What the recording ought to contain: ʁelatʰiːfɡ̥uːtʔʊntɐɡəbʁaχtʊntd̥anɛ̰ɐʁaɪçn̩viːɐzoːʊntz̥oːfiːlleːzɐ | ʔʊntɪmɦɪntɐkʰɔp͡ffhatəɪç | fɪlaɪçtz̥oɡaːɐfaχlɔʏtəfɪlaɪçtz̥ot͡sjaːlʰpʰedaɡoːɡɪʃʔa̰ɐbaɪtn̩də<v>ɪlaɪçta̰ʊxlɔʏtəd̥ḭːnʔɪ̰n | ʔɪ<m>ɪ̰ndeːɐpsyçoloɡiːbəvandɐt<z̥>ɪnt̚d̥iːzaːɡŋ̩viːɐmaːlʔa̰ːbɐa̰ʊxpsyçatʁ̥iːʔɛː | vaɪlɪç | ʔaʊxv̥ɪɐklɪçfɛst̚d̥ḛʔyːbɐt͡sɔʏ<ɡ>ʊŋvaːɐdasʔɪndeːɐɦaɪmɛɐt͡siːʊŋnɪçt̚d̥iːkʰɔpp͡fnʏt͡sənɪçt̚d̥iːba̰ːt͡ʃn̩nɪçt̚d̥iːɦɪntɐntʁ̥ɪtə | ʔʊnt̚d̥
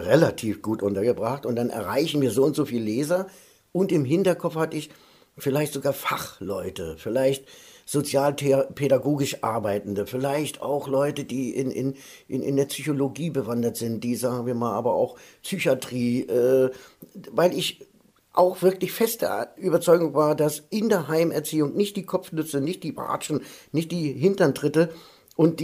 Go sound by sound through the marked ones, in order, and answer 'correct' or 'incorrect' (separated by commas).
incorrect, incorrect, correct, correct